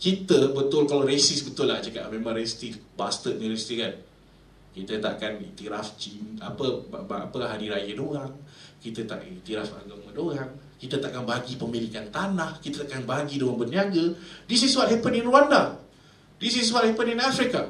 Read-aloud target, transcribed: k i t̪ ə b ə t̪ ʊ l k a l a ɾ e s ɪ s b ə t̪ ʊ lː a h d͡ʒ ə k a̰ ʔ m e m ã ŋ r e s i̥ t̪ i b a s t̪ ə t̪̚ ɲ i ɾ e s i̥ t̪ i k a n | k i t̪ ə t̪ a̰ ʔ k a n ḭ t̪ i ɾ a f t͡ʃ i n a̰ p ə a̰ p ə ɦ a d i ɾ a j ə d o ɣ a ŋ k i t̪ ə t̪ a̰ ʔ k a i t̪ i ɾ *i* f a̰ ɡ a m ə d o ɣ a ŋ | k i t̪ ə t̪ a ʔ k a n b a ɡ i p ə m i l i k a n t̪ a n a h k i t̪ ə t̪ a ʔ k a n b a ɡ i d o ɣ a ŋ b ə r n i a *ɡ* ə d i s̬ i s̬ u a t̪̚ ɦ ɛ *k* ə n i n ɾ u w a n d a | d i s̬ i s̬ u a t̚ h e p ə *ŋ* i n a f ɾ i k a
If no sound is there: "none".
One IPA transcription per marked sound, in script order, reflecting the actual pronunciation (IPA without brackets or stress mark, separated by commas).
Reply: a, ɡ, p, n